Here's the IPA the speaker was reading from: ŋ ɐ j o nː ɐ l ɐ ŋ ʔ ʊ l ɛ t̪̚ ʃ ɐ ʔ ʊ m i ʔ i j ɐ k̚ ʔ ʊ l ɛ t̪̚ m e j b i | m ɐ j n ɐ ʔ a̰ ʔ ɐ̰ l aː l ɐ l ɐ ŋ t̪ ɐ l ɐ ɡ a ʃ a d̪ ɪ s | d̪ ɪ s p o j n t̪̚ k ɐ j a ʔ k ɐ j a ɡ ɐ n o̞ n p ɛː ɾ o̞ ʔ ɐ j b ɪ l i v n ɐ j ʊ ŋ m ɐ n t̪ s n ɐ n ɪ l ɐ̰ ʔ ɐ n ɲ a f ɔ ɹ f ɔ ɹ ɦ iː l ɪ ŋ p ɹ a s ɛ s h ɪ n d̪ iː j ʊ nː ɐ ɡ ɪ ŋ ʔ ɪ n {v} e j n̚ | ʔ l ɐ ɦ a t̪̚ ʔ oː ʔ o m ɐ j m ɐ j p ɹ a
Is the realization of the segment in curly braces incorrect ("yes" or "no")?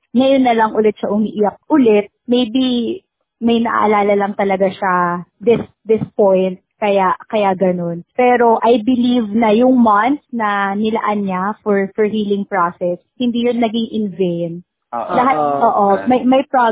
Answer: no